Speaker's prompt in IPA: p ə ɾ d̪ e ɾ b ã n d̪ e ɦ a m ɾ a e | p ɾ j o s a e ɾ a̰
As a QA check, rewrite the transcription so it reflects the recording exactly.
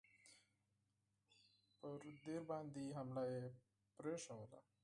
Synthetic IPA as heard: p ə ɾ d̪ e ɾ b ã n d̪ i ɦ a m l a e | p ɾ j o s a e l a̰